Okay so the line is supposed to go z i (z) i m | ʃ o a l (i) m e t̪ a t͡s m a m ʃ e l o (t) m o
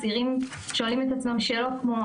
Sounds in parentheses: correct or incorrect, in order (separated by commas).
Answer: incorrect, correct, incorrect